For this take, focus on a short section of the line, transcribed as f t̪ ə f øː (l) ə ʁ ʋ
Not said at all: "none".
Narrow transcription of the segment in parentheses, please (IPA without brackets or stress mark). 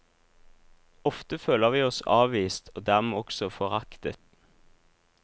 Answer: l